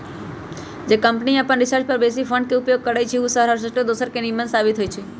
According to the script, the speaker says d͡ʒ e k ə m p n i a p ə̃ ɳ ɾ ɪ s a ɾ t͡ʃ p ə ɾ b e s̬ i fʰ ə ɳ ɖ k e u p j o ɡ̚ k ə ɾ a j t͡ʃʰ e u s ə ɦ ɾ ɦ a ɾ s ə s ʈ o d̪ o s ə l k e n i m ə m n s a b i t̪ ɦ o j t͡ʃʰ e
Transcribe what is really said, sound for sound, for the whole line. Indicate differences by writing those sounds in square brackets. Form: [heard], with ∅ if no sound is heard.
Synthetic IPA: d͡ʒ e k ə m p n i a p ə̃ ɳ ɾ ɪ s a ɾ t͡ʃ p ə ɾ b e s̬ i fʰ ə ɳ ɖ k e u p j o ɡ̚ k ə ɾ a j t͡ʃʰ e u s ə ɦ ɾ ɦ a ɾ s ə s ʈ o d̪ o s ə [ɾ] k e n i m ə [∅] n s a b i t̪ ɦ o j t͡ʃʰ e